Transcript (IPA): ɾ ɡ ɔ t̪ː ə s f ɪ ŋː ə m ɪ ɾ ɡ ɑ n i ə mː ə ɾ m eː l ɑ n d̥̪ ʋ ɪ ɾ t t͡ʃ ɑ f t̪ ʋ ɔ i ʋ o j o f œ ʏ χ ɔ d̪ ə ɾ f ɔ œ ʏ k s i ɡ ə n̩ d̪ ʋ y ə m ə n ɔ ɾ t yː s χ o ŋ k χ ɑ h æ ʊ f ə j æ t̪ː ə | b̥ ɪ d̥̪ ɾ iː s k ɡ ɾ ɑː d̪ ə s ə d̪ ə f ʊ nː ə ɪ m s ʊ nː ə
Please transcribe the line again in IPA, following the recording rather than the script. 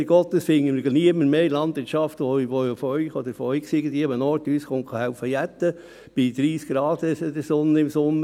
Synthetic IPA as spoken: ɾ ɡ ɔ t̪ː ə s f ɪ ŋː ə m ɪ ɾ ɡ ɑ n i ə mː ə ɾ m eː l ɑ n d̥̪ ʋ ɪ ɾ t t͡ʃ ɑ f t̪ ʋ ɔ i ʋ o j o f œ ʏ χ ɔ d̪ ə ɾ f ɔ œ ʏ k s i ɡ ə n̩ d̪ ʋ i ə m ə n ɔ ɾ t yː s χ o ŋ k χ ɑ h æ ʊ f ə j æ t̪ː ə | b̥ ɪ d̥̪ ɾ iː s k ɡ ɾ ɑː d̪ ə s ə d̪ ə s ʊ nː ə ɪ m s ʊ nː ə